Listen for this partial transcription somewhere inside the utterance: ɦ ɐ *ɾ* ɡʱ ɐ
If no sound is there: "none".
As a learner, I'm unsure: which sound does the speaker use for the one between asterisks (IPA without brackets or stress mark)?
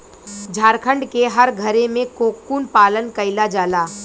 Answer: ɾ